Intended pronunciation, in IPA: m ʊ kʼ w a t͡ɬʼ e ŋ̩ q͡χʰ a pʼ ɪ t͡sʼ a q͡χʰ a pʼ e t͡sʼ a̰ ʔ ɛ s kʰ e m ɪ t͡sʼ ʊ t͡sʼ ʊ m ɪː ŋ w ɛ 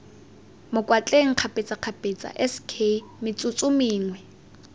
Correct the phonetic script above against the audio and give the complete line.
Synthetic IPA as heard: m ʊ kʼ w a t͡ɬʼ e ŋ̩ q͡χʰ a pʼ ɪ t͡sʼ a q͡χʰ a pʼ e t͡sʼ a̰ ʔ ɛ s kʰ e m ɪ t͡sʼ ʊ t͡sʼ ʊ m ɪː ŋ w ɛ